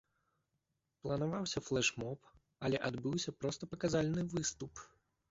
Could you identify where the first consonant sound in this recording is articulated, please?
labial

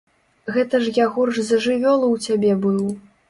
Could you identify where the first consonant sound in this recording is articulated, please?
velar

